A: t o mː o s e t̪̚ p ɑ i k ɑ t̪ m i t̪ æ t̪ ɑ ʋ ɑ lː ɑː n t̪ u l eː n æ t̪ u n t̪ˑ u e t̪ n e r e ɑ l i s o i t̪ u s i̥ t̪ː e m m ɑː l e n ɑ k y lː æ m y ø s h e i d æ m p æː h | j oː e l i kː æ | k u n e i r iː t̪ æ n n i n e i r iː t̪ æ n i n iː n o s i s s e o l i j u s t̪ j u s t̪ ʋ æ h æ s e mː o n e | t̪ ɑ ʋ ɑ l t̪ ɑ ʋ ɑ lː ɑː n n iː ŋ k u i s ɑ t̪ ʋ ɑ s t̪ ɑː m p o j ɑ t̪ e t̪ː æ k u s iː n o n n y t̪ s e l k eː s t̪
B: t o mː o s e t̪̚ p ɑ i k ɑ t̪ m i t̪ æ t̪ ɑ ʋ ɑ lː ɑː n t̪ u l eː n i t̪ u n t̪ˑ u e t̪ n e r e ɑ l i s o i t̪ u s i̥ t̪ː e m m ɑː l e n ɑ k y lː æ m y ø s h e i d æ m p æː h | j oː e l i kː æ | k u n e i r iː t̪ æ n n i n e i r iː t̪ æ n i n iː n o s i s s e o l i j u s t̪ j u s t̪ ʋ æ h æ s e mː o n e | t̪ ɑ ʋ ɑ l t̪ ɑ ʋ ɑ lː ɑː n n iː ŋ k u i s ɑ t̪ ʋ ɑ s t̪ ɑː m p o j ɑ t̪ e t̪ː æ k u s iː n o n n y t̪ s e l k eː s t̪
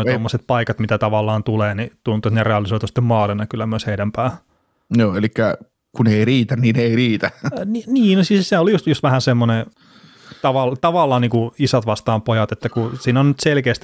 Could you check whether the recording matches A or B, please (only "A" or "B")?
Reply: B